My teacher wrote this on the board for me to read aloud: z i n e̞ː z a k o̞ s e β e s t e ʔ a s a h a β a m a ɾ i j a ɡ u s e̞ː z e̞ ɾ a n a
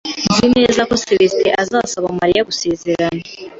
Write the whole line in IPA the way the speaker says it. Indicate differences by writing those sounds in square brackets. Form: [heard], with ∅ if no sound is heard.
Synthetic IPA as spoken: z i n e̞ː z a k o̞ s e β e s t e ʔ a [z] a [s] a β a m a ɾ i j a ɡ u s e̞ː z e̞ ɾ a n a